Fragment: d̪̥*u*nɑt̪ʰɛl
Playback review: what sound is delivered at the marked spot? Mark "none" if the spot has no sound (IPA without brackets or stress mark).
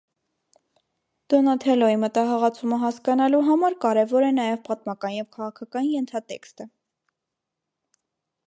ɔ